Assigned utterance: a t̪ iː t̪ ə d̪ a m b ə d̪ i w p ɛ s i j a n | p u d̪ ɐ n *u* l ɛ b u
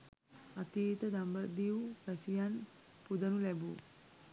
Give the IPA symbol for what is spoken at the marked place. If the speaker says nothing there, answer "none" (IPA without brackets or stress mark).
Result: u